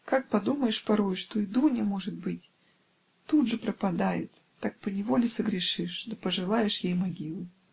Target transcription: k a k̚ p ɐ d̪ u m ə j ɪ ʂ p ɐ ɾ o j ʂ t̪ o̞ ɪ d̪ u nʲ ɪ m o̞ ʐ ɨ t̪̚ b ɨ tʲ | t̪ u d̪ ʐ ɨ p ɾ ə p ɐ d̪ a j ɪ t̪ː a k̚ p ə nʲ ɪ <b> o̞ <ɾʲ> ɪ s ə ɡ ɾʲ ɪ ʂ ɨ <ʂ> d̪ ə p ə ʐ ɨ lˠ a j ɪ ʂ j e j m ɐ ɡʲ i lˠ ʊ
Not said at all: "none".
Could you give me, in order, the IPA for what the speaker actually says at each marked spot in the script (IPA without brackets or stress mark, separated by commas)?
v, lʲ, ʂ